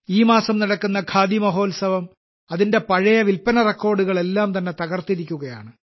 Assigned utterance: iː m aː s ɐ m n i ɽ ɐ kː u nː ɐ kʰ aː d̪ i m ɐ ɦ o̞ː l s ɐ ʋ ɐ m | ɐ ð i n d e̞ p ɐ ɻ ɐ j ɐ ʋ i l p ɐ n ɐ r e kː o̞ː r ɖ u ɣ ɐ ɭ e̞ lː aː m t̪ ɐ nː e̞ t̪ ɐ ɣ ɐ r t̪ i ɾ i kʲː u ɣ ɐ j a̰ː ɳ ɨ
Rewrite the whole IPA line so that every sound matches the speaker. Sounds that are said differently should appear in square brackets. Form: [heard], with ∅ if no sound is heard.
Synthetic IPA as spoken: iː m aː s ɐ m n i ɽ ɐ kː u nː ɐ kʰ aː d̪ i m ɐ ɦ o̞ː l s ɐ ʋ ɐ m | ɐ ð i n d e̞ p ɐ ɻ ɐ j ɐ ʋ i l p ɐ n ɐ r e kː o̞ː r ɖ u ɣ ɐ ɭ e̞ lː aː m t̪ ɐ nː e̞ t̪ ɐ ɣ ɐ r t̪ i ɾ i kʲː u ɣ ɐ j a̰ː ɳ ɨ